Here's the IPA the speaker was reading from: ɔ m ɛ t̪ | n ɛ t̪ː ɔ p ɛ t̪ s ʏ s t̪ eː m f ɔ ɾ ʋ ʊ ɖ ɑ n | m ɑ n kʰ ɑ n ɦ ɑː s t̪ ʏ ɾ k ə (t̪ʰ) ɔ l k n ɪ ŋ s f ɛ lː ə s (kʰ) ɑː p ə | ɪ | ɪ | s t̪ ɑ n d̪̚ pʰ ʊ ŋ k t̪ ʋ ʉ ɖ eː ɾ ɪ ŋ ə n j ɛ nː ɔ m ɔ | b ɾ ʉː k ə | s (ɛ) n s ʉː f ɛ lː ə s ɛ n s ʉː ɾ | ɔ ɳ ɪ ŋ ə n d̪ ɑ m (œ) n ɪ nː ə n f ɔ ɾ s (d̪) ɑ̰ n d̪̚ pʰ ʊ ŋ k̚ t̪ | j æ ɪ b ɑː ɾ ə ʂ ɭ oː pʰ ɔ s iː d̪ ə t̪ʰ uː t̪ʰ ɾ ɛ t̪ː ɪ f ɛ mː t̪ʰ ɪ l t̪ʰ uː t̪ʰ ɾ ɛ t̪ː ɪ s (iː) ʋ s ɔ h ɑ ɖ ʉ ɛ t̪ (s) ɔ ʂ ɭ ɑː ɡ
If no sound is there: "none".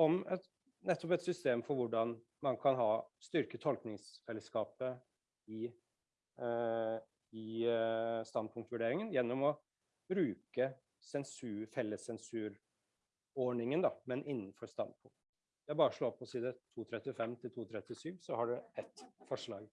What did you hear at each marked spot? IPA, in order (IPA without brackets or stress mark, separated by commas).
t̪ʰ, k, ɛ, ɛ, t̪, yː, f